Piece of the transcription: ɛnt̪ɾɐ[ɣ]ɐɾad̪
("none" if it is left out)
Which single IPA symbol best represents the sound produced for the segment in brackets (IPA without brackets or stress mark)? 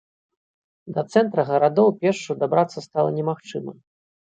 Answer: ɣ